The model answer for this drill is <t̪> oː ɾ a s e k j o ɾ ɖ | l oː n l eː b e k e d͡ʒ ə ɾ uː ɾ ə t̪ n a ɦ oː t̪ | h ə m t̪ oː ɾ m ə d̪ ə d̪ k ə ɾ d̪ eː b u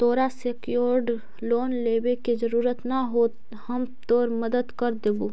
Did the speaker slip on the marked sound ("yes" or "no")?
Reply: no